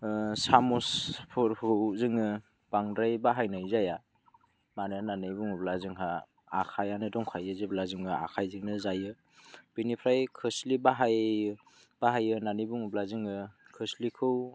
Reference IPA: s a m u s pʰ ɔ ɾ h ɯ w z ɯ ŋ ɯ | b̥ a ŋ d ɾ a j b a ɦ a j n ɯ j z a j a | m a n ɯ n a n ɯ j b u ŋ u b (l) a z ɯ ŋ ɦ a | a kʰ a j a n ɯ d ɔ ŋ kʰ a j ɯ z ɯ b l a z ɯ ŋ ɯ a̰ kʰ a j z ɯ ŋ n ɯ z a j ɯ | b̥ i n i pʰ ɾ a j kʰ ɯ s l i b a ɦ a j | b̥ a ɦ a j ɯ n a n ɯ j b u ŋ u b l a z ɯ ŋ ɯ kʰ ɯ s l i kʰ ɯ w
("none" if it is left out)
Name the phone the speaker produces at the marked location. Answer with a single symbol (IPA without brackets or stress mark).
l